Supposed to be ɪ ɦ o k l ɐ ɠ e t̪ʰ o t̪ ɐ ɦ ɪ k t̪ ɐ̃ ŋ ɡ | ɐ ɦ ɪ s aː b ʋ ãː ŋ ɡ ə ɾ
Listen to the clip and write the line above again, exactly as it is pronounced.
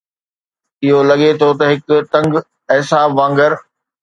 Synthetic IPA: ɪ ɦ o l ɐ ɠ e t̪ʰ o t̪ ɐ ɦ ɪ k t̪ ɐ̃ ŋ ɡ | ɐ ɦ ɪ s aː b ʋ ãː ŋ ɡ ə ɾ